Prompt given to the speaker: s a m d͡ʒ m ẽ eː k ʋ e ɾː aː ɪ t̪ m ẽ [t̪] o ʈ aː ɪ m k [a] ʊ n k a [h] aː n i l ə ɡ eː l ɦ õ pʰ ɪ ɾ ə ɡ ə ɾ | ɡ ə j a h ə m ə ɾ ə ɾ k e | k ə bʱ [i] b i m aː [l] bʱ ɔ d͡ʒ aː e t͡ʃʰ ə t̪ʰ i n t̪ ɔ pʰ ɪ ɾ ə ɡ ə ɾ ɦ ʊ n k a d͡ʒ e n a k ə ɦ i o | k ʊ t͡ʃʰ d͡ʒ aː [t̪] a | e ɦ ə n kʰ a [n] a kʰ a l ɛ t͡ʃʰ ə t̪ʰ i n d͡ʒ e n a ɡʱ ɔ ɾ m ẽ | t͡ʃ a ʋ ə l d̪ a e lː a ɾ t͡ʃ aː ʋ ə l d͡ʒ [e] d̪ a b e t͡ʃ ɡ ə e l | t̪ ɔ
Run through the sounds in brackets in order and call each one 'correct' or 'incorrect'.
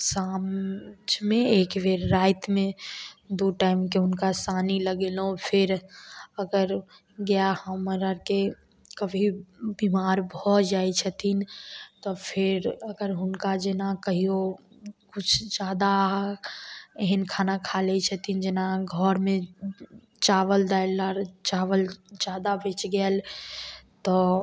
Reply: incorrect: d̪, incorrect: e, incorrect: s, correct, incorrect: ɾ, incorrect: d̪, correct, incorrect: a

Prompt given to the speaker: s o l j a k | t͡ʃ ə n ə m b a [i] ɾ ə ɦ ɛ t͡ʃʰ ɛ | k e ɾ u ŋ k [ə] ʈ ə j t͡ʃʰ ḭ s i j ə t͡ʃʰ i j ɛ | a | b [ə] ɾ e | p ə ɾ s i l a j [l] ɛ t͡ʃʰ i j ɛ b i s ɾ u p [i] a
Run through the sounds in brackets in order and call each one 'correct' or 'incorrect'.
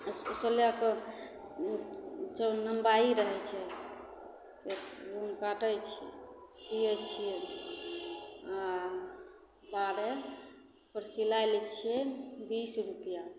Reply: correct, incorrect: a, incorrect: a, correct, incorrect: j

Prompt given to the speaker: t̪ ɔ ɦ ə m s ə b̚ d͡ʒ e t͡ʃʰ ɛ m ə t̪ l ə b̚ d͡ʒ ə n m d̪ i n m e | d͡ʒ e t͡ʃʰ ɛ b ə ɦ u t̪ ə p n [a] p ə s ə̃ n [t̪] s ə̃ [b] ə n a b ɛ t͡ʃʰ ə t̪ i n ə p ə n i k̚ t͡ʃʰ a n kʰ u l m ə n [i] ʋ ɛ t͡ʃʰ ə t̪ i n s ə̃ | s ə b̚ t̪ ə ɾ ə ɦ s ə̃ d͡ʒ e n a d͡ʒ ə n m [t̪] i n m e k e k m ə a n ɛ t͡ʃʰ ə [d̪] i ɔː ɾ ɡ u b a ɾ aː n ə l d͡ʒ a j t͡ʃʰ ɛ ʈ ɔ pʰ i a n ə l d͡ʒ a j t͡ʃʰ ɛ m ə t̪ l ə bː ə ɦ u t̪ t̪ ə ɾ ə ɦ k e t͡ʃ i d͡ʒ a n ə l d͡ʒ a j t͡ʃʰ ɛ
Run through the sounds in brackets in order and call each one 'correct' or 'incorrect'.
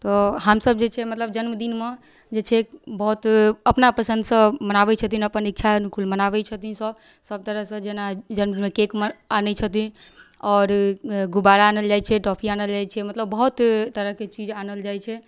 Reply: correct, incorrect: d̪, incorrect: m, incorrect: a, incorrect: d̪, incorrect: t̪

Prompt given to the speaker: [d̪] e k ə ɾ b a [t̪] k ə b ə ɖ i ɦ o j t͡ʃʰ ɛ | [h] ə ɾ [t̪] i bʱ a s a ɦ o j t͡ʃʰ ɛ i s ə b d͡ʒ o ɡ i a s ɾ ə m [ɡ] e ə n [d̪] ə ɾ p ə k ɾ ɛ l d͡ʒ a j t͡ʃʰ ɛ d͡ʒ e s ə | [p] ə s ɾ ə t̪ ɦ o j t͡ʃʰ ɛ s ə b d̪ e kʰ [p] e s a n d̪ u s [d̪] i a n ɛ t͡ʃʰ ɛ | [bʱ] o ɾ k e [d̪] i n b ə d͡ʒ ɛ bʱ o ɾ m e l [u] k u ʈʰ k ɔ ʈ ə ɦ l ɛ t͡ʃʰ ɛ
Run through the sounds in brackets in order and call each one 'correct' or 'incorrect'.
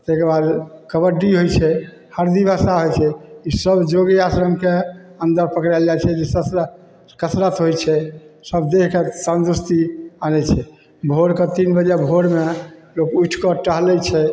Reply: incorrect: t̪, incorrect: d̪, correct, incorrect: d̪, incorrect: k, correct, incorrect: k, incorrect: k, incorrect: t̪, correct, incorrect: t̪, incorrect: o

